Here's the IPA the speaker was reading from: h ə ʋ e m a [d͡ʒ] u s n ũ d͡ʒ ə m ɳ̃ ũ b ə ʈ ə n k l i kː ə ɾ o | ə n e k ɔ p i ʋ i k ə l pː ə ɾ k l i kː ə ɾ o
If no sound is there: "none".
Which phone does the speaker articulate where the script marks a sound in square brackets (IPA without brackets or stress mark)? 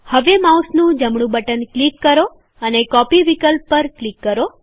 none